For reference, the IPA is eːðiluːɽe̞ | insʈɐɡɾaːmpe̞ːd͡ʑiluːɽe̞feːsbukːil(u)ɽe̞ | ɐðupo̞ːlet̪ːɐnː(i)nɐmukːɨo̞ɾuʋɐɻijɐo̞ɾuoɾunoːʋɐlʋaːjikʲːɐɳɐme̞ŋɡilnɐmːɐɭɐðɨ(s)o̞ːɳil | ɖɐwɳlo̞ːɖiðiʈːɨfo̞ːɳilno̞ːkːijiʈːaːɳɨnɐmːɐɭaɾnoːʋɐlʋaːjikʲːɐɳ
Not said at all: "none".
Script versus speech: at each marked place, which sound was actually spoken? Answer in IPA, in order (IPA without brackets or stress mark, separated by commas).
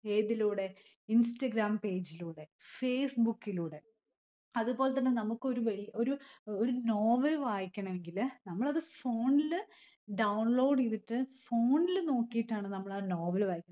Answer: uː, e, f